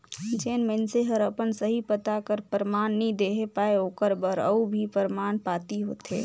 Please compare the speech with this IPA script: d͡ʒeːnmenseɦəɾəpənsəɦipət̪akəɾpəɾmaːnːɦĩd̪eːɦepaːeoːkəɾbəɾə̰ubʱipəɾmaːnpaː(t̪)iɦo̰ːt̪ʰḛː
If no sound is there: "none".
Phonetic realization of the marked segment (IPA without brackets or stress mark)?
t̪